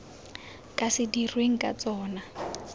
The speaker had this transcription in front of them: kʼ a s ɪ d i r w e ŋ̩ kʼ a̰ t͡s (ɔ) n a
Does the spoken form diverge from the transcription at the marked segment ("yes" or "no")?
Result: yes